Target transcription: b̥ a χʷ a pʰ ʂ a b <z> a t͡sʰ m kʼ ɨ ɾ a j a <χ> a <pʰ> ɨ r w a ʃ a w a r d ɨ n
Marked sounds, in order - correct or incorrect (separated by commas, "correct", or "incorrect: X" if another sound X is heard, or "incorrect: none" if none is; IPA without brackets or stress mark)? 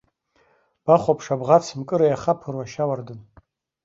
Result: incorrect: ʁ, correct, correct